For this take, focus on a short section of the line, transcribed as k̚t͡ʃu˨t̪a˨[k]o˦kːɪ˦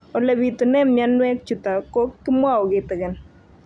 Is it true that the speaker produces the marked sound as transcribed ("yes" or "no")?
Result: yes